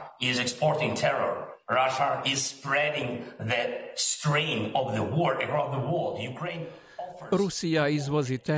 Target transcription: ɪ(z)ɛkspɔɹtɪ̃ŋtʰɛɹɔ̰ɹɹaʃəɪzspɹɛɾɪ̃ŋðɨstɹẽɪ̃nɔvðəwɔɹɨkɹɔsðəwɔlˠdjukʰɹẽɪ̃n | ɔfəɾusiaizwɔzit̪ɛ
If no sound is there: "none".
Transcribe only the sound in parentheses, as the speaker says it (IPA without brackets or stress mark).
z